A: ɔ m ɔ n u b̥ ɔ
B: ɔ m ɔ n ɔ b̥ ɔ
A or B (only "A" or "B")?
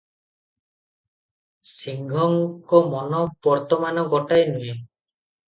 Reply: B